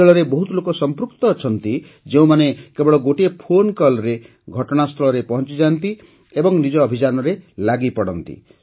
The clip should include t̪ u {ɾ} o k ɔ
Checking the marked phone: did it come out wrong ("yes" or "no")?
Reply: yes